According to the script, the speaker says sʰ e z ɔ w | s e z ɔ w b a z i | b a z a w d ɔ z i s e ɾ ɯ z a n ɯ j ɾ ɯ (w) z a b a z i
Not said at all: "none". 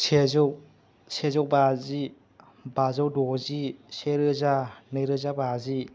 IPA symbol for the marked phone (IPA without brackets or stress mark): none